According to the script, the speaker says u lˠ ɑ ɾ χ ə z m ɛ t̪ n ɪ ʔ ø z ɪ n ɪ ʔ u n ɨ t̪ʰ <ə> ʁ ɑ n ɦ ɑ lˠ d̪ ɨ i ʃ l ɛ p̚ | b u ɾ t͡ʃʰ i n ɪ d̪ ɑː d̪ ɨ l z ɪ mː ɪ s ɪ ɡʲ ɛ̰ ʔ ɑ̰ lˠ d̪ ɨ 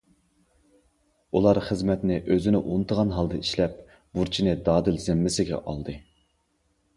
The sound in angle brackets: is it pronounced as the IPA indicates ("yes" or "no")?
yes